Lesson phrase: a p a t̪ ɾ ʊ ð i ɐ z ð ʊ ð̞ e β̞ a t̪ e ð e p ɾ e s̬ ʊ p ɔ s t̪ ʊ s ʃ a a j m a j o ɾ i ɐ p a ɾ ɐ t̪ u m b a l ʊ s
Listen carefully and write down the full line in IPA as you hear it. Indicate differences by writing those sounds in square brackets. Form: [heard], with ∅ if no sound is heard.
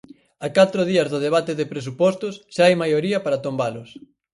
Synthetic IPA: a [k] a t̪ ɾ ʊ ð i ɐ z ð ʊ ð̞ e β̞ a t̪ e ð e p ɾ e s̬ [u] p ɔ s t̪ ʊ s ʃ a a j m a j o ɾ i ɐ p a ɾ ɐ t̪ [o] m b a l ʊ s